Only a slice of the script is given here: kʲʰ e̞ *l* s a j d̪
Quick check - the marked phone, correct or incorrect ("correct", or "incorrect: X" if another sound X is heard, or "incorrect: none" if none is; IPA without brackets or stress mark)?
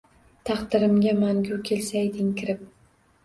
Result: correct